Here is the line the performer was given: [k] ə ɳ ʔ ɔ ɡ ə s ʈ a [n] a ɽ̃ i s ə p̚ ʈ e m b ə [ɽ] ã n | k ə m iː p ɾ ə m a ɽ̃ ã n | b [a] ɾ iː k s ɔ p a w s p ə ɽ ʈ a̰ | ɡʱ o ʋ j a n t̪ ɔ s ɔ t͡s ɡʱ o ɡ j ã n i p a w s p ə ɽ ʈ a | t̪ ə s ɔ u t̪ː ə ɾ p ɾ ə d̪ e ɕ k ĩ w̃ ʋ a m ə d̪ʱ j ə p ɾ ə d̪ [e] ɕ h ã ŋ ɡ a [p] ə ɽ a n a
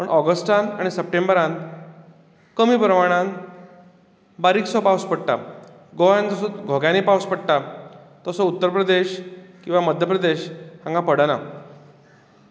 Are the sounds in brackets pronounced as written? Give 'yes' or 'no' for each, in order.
no, yes, no, yes, yes, yes

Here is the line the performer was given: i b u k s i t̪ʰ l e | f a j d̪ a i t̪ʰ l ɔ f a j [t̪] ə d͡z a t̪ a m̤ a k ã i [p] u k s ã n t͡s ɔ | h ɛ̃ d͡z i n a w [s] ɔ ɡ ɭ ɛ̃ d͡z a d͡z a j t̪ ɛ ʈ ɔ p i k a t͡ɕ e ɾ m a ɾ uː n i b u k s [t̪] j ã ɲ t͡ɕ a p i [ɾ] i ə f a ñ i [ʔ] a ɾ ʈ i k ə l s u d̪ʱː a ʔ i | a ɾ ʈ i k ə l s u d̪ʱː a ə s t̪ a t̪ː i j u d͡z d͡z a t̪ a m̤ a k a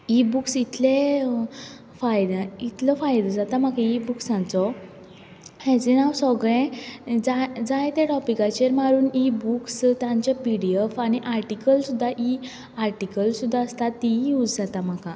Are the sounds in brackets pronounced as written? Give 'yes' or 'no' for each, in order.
no, no, yes, yes, no, yes

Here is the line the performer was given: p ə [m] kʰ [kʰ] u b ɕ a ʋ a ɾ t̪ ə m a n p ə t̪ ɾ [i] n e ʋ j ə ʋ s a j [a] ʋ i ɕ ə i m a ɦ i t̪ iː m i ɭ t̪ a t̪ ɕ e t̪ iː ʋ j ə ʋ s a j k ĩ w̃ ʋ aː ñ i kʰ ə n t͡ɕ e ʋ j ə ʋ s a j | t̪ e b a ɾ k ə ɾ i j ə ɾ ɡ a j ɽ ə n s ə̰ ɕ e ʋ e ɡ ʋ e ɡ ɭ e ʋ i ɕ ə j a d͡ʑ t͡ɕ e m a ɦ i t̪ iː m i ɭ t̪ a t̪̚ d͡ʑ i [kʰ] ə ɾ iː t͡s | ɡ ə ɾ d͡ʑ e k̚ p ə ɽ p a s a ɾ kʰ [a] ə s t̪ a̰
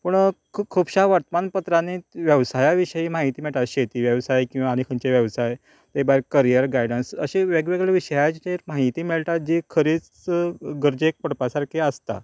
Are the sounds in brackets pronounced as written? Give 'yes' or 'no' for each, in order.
no, yes, no, yes, yes, no

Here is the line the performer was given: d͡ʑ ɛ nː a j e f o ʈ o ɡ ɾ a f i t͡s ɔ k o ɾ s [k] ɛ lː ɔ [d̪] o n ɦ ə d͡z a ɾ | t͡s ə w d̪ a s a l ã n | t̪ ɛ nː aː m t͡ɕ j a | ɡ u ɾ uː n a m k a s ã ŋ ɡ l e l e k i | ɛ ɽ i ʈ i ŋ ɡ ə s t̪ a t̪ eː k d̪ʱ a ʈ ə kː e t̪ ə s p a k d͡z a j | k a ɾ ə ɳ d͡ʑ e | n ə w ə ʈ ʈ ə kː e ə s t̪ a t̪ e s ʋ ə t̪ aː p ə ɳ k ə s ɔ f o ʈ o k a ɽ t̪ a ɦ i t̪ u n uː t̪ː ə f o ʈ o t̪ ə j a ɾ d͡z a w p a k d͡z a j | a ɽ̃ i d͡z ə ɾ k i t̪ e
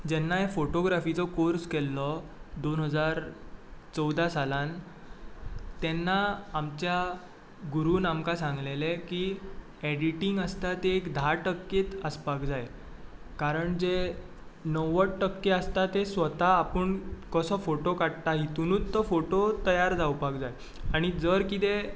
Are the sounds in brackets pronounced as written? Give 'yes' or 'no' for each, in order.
yes, yes

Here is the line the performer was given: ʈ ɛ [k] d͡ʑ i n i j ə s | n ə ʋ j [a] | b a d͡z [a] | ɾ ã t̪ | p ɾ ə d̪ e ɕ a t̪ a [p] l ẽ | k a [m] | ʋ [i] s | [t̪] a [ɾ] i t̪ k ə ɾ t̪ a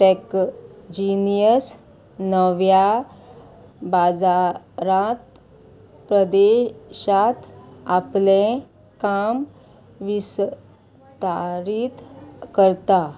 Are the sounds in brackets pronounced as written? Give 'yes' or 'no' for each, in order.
yes, yes, yes, yes, yes, yes, yes, yes

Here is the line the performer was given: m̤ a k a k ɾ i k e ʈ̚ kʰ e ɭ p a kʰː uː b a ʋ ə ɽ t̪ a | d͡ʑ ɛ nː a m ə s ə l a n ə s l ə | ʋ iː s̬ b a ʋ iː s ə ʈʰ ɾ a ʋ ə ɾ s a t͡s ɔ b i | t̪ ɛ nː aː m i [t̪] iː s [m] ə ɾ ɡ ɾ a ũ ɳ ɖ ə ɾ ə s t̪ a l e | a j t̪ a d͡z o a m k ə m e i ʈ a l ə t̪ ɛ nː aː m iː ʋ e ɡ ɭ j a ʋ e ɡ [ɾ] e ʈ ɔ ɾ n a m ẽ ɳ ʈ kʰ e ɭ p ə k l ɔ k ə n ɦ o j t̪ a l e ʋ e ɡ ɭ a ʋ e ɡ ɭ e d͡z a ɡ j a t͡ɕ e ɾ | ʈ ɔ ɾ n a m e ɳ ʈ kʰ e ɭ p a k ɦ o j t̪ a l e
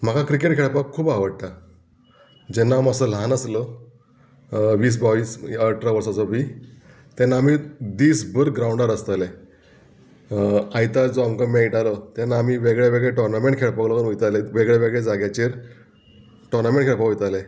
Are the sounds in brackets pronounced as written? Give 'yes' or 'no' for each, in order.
no, no, no

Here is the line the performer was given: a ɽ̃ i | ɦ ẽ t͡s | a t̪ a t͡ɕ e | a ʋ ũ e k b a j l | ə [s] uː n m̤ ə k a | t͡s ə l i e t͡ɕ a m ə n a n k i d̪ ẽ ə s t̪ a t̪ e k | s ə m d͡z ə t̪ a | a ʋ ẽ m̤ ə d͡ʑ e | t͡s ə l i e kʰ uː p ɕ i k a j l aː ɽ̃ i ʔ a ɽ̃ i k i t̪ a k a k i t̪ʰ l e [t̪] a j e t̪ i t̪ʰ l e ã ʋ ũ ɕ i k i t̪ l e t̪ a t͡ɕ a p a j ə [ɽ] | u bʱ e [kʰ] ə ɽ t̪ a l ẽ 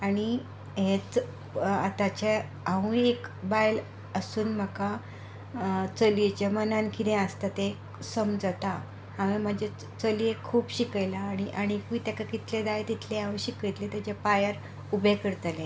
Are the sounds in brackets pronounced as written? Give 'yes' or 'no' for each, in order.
yes, no, no, no

